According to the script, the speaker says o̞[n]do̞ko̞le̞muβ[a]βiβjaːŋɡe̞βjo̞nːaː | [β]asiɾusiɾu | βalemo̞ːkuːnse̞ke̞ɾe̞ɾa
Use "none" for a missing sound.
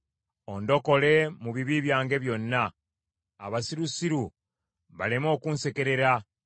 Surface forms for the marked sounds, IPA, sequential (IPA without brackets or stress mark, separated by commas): n, i, β